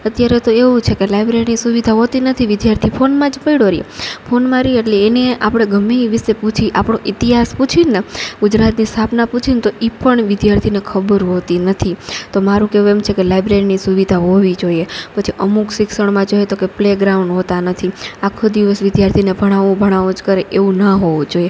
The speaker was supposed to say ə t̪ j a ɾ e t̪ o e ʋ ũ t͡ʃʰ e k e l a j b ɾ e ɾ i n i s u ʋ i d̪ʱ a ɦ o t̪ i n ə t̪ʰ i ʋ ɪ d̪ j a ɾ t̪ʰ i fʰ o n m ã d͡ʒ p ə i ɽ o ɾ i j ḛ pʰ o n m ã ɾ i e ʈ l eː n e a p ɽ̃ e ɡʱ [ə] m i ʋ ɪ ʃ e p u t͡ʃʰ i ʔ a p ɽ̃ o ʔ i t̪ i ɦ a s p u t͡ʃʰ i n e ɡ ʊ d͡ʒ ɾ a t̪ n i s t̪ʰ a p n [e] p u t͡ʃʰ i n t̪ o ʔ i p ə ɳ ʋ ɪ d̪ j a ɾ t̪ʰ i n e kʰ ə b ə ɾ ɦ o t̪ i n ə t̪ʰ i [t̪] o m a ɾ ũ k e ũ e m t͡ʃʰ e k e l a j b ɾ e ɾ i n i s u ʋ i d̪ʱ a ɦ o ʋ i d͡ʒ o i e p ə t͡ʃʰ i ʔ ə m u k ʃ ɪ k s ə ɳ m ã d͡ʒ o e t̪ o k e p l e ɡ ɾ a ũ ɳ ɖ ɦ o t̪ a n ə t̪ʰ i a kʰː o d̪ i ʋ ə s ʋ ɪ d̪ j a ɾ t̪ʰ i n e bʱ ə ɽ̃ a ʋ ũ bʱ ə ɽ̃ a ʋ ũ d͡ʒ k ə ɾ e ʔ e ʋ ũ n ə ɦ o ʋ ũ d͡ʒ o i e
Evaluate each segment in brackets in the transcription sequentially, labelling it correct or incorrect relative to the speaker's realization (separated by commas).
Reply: correct, incorrect, correct